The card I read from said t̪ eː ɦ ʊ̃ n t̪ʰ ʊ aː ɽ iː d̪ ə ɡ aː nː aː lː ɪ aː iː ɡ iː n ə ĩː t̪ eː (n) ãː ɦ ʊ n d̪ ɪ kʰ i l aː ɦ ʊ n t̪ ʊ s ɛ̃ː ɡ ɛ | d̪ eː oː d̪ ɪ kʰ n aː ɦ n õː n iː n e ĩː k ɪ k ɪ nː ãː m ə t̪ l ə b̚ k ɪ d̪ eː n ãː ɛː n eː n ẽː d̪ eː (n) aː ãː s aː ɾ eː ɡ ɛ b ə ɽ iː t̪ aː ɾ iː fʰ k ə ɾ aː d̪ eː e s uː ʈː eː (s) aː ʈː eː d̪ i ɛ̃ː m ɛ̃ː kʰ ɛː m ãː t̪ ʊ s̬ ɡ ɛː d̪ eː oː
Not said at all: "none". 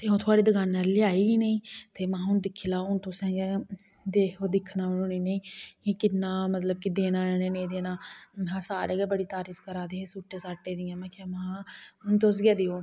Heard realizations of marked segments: m, n, s

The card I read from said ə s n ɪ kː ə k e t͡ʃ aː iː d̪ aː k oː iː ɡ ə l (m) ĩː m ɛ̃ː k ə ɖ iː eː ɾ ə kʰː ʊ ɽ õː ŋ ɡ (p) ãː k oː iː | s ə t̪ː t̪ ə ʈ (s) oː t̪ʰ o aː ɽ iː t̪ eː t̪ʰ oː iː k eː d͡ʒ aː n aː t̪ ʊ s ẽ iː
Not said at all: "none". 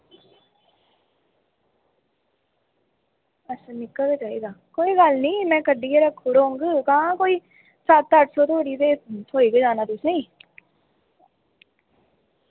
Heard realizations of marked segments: n, k, s

